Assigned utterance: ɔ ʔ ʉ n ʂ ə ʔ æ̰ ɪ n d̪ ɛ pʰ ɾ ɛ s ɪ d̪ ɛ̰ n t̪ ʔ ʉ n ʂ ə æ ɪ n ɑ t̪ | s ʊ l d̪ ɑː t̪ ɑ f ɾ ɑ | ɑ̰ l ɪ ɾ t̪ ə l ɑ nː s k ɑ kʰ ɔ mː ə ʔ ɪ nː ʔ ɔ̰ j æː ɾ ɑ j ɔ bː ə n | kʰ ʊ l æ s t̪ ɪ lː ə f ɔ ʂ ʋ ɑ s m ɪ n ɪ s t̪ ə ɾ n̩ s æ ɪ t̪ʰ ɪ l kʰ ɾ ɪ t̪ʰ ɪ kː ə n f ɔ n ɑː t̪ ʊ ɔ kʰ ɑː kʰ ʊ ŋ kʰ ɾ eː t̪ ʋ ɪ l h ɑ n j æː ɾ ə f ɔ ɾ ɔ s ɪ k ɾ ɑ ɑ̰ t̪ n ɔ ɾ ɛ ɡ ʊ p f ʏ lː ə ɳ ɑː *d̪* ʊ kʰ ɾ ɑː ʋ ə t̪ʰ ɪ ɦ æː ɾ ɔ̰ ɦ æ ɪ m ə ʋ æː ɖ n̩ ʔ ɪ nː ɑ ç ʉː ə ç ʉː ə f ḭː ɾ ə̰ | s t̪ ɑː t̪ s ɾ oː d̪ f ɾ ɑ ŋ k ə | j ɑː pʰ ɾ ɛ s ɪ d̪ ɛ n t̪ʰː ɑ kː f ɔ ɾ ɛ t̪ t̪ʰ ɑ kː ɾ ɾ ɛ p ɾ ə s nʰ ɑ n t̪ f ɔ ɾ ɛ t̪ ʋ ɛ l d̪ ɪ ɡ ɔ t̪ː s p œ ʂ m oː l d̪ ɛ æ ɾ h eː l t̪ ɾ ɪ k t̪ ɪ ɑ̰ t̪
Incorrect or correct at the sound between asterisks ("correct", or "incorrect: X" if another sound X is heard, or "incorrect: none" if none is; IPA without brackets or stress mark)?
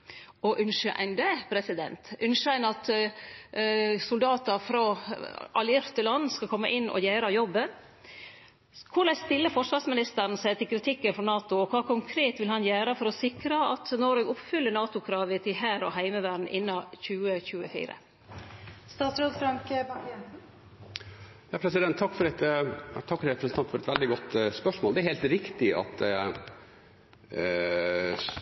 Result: incorrect: t̪